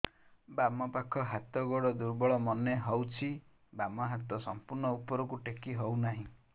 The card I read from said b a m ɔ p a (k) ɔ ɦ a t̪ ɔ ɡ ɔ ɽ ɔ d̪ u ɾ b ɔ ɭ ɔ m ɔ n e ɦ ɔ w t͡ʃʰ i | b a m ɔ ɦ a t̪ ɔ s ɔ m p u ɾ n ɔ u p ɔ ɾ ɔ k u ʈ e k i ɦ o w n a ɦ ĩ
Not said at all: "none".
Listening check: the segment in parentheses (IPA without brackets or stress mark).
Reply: kʰ